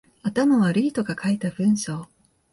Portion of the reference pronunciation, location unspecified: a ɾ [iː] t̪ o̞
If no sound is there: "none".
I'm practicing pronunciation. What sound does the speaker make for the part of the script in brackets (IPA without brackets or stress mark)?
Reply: iː